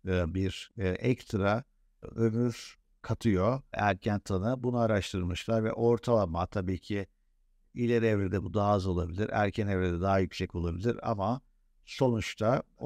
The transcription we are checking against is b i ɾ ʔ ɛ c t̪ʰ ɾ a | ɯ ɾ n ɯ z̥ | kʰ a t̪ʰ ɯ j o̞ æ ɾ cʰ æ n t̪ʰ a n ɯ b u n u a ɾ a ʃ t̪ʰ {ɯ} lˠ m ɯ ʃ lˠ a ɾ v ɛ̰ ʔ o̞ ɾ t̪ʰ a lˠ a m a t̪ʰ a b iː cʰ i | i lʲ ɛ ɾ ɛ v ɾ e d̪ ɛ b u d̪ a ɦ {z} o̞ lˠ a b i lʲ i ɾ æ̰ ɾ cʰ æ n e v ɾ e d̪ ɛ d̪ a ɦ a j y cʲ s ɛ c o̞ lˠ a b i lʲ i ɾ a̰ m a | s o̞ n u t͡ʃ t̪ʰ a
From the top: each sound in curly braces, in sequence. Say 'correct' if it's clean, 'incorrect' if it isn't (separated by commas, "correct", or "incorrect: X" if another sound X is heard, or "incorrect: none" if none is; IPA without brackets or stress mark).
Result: correct, correct